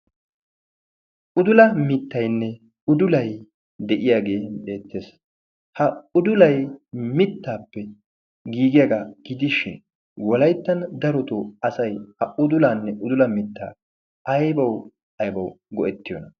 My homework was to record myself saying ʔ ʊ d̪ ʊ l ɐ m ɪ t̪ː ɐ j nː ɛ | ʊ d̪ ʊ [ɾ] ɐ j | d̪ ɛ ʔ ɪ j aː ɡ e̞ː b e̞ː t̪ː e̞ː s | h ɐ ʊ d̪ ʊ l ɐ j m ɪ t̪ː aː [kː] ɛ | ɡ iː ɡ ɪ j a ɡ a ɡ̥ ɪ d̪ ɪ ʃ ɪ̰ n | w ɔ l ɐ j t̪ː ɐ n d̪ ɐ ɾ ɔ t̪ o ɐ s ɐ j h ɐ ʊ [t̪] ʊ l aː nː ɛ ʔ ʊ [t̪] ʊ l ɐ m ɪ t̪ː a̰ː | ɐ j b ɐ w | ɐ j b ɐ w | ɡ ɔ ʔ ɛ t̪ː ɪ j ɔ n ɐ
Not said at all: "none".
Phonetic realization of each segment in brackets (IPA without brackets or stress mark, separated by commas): l, pː, d̪, d̪